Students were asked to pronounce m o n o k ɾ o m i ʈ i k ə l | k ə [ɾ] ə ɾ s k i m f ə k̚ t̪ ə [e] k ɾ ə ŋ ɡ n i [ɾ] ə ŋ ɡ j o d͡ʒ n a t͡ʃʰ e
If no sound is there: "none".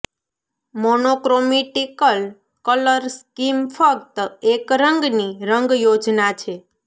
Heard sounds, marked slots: l, e, ɾ

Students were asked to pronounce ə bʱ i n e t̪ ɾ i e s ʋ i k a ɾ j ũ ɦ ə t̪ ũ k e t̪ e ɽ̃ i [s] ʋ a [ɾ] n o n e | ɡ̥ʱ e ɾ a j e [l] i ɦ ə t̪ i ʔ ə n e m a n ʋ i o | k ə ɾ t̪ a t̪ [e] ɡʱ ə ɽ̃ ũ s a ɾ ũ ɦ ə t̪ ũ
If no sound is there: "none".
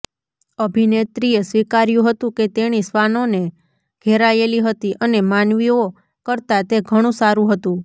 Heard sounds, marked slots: s, none, l, e

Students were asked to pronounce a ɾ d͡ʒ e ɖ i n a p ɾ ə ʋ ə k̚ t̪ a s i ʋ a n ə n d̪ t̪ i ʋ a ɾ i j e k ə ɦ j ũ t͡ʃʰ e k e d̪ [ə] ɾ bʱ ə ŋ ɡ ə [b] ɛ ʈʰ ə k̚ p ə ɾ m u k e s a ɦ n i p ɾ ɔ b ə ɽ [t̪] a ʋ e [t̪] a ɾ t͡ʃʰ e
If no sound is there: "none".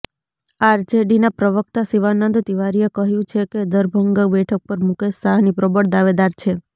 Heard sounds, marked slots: ə, b, d̪, d̪

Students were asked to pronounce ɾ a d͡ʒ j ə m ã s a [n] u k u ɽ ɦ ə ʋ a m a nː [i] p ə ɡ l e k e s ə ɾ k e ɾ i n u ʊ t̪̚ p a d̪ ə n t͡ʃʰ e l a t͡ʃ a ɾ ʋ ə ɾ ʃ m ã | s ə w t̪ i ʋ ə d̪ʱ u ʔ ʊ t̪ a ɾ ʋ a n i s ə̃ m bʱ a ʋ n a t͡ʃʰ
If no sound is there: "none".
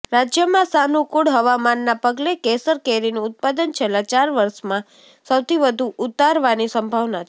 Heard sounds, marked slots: n, a

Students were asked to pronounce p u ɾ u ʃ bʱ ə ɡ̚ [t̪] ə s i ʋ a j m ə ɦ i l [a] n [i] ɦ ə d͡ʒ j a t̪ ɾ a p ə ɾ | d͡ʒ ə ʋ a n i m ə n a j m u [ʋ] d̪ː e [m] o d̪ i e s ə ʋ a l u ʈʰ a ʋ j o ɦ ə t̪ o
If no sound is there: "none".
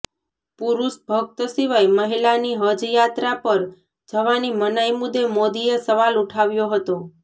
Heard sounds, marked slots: t̪, a, i, none, m

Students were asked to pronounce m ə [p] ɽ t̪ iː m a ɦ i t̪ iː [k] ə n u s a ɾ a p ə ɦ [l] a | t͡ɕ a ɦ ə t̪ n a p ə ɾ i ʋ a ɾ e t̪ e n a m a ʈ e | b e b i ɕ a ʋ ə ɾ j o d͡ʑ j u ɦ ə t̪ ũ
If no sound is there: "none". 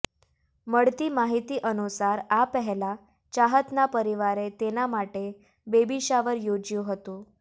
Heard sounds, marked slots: none, ʔ, l

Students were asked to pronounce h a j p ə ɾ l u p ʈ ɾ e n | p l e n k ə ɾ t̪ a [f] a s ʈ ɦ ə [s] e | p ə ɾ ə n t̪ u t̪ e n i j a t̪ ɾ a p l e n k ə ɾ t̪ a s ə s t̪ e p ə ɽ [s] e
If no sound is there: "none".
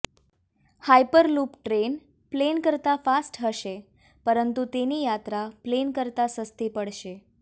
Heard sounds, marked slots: f, ʃ, ʃ

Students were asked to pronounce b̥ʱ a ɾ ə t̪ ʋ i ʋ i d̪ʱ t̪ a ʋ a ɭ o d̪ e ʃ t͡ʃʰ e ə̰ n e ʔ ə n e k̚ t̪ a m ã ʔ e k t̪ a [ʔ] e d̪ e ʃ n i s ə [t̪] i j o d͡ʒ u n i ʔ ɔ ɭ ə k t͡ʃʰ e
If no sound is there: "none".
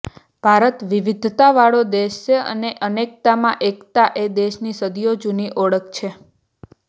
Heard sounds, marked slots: ʔ, d̪

